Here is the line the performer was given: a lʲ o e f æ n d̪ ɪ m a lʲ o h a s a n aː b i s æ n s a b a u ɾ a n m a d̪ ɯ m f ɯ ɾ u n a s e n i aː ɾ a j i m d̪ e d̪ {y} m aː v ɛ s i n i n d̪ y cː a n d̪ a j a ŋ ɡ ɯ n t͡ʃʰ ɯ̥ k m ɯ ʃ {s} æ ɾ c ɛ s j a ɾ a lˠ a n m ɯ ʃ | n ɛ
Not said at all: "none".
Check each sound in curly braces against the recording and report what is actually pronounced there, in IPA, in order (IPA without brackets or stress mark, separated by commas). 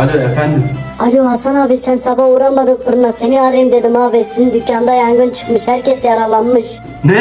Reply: i, h